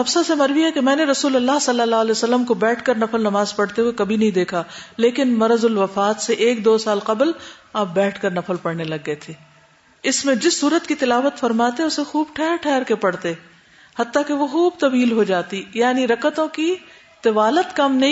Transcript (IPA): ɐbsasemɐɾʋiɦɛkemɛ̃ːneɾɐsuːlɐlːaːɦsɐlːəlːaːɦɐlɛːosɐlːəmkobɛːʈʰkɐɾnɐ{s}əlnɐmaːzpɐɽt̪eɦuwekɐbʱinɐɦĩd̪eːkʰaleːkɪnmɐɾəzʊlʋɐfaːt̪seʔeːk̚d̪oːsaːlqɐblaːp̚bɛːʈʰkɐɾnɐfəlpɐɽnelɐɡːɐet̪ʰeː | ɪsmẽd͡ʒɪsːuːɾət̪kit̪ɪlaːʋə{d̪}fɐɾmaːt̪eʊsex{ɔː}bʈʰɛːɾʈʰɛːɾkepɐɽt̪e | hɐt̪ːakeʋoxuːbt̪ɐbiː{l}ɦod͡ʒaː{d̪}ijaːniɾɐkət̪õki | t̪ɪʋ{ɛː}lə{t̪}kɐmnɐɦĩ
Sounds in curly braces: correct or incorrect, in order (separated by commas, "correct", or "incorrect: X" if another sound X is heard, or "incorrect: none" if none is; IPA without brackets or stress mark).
incorrect: f, incorrect: t̪, incorrect: uː, correct, incorrect: t̪, incorrect: aː, correct